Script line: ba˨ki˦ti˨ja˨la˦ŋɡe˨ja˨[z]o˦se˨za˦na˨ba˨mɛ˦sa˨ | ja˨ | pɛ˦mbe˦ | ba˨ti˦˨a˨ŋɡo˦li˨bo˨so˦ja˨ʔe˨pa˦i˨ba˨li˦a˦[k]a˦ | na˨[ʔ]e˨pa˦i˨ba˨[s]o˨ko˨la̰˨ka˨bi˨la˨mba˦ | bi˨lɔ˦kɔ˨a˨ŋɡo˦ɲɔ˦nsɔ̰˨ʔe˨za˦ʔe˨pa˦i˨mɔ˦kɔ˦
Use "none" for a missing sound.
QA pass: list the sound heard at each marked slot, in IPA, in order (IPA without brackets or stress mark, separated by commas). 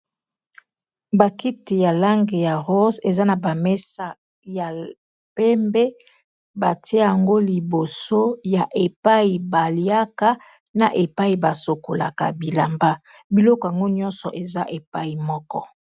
ʁ, k, ʔ, s